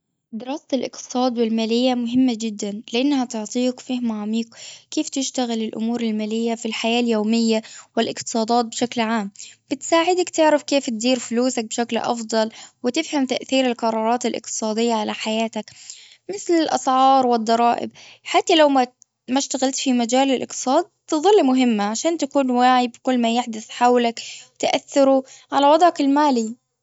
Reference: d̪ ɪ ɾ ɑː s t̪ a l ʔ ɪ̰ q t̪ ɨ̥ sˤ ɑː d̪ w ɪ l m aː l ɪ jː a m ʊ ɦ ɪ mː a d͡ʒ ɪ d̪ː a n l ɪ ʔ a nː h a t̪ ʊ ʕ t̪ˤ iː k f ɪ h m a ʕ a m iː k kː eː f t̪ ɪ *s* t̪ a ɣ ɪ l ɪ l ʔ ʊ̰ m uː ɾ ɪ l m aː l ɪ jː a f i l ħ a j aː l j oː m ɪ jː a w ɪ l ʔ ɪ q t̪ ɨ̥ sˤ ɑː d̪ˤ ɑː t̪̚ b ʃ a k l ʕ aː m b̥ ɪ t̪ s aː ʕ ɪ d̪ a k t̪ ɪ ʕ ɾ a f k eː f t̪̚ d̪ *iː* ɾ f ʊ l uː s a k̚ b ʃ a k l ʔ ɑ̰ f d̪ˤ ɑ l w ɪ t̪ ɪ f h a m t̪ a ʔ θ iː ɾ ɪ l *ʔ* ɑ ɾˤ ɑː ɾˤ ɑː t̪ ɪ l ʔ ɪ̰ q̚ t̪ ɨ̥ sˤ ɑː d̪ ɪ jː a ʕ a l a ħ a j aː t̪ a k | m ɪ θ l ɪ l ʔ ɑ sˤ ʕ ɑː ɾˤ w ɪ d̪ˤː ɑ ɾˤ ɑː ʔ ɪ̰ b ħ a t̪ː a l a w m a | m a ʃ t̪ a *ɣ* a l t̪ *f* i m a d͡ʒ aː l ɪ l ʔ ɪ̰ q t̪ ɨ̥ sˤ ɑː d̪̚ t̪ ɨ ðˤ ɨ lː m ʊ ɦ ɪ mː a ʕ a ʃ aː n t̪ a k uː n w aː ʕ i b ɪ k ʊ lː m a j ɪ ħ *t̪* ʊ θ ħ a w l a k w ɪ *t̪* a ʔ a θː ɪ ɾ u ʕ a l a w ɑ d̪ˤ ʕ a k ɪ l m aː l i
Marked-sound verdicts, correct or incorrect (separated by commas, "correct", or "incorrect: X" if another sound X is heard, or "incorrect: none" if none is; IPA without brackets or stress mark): incorrect: ʃ, correct, incorrect: q, correct, correct, incorrect: d̪, correct